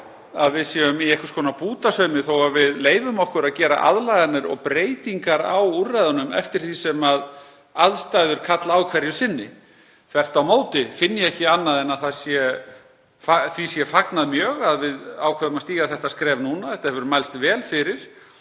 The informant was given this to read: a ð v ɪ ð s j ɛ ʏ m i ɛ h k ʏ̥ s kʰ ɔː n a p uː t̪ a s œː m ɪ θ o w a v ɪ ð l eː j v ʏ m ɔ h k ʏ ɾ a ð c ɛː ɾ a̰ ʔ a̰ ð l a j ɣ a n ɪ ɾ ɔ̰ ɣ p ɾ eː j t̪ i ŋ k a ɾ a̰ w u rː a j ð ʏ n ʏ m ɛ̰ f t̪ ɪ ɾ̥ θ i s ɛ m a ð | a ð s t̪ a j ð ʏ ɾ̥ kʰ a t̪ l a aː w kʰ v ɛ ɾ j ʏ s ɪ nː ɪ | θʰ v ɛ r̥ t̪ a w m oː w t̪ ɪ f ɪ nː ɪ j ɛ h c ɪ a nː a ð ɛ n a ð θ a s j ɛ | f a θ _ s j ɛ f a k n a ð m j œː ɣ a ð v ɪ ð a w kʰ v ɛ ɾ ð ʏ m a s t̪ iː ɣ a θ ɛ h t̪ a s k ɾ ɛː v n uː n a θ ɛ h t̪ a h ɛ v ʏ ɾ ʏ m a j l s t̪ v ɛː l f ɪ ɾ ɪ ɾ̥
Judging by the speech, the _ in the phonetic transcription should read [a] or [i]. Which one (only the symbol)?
i